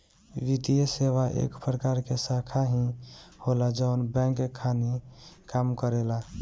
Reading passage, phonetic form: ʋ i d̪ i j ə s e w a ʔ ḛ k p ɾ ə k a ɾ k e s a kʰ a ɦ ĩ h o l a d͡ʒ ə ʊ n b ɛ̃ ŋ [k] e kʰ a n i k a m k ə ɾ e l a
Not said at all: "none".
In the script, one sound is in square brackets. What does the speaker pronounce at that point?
k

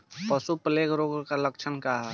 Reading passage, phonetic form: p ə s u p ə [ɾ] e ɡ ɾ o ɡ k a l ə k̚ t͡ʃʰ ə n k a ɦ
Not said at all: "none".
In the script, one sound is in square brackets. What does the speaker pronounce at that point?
l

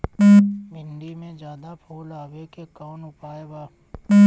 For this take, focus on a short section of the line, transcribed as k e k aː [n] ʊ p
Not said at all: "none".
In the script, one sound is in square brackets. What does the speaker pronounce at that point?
n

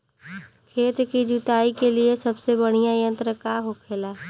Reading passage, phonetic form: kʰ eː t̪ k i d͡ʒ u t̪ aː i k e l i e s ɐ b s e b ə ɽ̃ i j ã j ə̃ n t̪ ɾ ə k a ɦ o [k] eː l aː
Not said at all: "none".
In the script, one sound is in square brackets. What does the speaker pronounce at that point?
kʰ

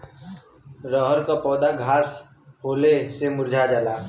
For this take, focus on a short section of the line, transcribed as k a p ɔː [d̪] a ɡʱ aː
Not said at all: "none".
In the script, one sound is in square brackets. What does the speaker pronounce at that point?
d̪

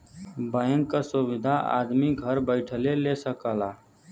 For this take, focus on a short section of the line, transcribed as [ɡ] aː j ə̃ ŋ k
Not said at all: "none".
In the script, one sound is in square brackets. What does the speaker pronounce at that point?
b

